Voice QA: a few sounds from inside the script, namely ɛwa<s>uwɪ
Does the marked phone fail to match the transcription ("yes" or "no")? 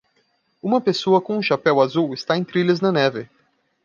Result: yes